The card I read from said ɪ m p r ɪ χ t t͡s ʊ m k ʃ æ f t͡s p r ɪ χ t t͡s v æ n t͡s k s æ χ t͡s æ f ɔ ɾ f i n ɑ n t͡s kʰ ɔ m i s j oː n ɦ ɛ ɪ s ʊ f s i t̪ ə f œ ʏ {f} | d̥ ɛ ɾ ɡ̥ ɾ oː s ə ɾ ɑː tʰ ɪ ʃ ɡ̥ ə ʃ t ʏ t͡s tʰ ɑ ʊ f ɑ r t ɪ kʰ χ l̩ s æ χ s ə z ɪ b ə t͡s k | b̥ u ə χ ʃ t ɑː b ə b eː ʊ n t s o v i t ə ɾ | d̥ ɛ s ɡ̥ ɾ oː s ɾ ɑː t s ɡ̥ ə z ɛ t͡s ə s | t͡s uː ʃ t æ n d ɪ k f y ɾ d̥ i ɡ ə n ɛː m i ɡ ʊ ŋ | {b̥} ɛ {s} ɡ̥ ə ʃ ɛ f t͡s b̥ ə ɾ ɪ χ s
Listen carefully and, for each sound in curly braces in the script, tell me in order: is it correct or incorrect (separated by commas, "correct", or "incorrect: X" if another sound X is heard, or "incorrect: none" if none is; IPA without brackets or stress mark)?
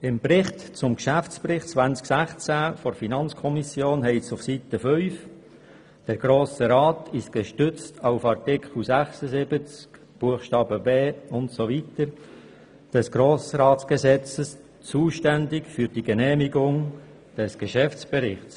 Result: correct, incorrect: d̥, correct